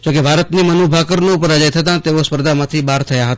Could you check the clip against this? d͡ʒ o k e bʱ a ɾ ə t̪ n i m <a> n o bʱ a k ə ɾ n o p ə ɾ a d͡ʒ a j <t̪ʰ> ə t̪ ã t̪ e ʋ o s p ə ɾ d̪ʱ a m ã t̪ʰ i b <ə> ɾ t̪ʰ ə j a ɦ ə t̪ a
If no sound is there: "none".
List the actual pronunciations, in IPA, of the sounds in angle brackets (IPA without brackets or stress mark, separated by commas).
ə, t̪ʰ, a